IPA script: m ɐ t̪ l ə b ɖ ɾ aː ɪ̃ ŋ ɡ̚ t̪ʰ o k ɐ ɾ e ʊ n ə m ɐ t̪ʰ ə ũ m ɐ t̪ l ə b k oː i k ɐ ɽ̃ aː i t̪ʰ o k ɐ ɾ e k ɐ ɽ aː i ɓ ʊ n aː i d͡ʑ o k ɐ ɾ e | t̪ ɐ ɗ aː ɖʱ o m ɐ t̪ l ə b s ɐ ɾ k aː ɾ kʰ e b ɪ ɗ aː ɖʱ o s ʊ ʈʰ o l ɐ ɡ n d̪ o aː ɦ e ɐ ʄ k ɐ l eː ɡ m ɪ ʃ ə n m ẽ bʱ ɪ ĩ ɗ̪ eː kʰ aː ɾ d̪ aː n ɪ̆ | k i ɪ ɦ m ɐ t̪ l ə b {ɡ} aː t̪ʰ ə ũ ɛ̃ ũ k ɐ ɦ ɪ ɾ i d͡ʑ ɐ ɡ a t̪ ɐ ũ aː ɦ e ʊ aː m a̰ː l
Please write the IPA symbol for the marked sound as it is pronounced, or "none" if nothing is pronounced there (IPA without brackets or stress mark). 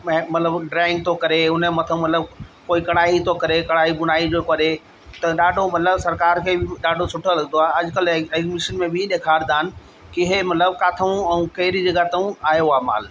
k